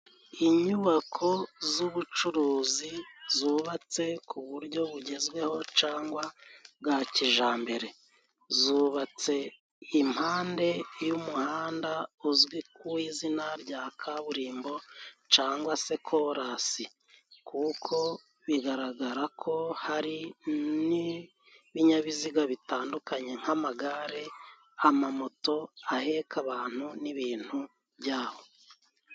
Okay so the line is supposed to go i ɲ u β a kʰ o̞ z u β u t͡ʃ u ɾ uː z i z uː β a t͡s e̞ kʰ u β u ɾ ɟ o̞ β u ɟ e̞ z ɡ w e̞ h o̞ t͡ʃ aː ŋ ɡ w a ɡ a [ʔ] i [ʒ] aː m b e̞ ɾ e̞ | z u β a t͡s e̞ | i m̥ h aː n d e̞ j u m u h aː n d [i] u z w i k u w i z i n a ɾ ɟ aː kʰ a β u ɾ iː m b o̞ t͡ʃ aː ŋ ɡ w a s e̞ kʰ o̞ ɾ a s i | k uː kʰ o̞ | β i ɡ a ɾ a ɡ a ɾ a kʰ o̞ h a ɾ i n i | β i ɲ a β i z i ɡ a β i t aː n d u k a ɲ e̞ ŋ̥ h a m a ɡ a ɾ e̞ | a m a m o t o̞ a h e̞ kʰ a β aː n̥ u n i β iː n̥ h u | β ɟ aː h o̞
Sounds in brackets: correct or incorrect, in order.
incorrect: c, correct, incorrect: a

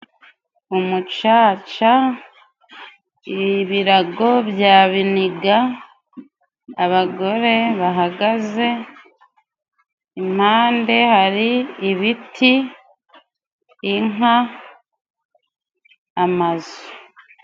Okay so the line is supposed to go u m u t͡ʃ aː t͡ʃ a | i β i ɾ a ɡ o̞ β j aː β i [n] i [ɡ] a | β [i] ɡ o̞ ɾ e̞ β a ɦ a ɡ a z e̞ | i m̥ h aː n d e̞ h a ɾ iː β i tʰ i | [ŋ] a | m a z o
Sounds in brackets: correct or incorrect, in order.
correct, correct, incorrect: a, correct

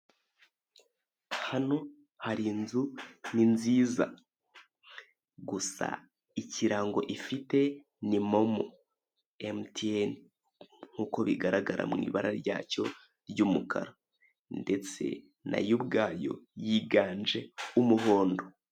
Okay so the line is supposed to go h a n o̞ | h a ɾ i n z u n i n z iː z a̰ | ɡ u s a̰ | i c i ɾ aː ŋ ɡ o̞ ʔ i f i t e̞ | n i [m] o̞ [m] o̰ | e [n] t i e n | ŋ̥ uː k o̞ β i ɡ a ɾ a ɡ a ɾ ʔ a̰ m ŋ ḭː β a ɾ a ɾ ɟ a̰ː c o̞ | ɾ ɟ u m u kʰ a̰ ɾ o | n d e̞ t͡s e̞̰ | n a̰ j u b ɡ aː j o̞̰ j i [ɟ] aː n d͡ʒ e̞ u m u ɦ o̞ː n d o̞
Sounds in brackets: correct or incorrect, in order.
correct, correct, incorrect: m, incorrect: ɡ

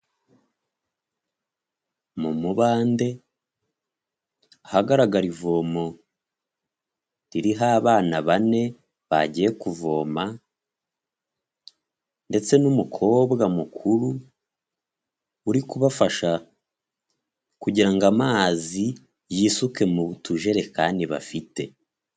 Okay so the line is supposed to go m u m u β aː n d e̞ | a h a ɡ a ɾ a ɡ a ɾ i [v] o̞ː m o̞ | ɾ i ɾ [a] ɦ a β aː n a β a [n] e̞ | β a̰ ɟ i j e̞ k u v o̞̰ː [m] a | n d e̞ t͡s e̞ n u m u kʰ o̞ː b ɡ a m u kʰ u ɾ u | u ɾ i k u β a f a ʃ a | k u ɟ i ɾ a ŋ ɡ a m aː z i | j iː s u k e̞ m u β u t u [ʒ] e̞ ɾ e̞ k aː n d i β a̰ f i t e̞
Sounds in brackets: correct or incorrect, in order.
correct, incorrect: i, correct, correct, correct

